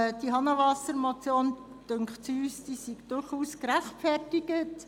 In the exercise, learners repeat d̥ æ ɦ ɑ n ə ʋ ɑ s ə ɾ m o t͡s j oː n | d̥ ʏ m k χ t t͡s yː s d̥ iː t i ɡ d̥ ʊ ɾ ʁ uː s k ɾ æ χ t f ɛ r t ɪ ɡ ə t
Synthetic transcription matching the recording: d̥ i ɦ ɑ n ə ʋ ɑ s ə ɾ m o t͡s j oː n | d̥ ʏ ŋ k χ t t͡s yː s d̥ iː s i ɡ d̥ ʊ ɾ χ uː s k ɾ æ χ t f ɛ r t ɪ ɡ ə t